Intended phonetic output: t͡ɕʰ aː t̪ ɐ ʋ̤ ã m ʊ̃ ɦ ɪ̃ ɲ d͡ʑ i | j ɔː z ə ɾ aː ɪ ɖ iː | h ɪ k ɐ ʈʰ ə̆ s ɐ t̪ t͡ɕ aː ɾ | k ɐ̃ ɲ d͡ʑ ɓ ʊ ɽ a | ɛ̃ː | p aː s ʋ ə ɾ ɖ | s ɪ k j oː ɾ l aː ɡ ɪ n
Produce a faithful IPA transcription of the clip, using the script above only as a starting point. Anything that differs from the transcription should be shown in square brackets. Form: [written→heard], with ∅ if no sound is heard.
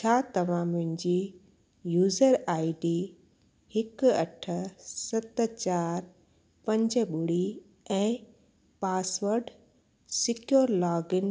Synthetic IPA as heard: t͡ɕʰ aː t̪ ɐ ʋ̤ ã m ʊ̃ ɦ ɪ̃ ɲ d͡ʑ i | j [ɔː→uː] z ə ɾ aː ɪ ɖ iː | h ɪ k ɐ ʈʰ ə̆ s ɐ t̪ t͡ɕ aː ɾ | [k→p] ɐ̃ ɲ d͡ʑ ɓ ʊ ɽ [a→i] | ɛ̃ː | p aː s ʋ ə ɾ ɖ | s ɪ k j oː ɾ l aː ɡ ɪ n